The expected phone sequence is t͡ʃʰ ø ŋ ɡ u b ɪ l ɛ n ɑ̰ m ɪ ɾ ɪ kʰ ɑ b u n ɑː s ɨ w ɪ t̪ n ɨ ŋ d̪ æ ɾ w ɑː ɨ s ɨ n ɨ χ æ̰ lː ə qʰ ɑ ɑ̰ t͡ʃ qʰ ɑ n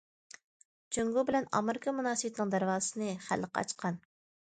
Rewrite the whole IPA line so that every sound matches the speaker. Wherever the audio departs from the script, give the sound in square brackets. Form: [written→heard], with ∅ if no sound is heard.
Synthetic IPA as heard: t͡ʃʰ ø ŋ ɡ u b ɪ l ɛ n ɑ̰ m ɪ ɾ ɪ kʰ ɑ [b→m] u n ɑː s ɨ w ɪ t̪ n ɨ ŋ d̪ æ ɾ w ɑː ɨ s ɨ n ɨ χ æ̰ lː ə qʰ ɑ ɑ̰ t͡ʃ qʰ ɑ n